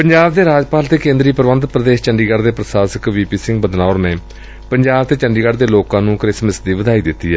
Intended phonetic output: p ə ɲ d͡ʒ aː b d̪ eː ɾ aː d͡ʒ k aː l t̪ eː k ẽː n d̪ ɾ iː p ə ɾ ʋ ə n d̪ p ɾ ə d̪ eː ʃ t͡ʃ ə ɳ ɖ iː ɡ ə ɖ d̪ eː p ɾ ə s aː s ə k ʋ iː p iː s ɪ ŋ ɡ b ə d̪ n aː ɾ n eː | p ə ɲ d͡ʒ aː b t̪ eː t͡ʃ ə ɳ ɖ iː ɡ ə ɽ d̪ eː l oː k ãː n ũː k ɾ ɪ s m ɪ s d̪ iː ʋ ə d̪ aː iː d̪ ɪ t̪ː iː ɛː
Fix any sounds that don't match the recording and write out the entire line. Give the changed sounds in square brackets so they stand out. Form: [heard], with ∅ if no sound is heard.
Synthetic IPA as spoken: p ə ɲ d͡ʒ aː b d̪ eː ɾ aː d͡ʒ [p] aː l t̪ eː k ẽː n d̪ ɾ iː p ə ɾ ʋ ə n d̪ p ɾ ə d̪ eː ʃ t͡ʃ ə ɳ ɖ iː ɡ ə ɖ d̪ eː p ɾ ə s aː s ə k ʋ iː p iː s ɪ ŋ ɡ b ə d̪ n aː ɾ n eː | p ə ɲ d͡ʒ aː b t̪ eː t͡ʃ ə ɳ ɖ iː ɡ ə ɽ d̪ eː l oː k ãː n ũː k ɾ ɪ s m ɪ s d̪ iː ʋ ə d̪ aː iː d̪ ɪ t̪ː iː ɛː